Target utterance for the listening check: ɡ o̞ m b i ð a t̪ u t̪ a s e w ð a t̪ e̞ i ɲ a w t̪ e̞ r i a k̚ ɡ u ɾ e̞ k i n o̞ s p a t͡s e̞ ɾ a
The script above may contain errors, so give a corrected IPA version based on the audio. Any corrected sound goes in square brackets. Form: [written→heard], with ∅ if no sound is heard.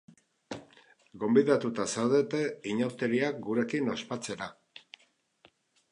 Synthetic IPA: ɡ o̞ m b i ð a t̪ u t̪ a s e w ð [a→e] t̪ e̞ i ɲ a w t̪ e̞ [r→ɾ] i a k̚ ɡ u ɾ e̞ k i n o̞ s p a t͡s e̞ ɾ a